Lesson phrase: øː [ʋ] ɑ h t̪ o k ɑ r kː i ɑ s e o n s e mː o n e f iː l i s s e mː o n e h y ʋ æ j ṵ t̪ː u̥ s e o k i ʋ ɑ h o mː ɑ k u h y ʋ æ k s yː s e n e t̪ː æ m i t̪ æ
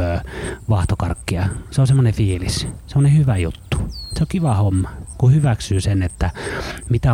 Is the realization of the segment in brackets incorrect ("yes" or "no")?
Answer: no